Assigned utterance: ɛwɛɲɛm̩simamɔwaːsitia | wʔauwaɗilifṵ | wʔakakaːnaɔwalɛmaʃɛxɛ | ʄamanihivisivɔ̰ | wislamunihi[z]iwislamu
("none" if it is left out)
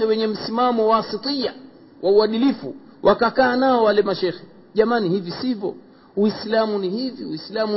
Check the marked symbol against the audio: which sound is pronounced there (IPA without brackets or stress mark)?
v